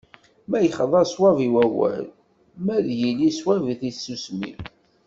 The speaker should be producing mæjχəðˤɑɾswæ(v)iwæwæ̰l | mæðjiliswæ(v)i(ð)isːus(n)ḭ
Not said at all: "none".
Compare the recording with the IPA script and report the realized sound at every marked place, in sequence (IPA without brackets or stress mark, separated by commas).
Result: v, v, θ, m